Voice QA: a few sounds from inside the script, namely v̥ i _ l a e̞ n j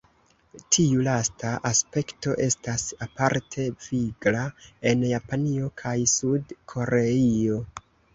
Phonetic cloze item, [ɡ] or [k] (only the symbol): ɡ